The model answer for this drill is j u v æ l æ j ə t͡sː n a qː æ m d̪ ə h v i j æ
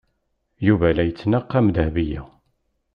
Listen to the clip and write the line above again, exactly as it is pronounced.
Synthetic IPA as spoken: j u v æ l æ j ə t͡sː n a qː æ m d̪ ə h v i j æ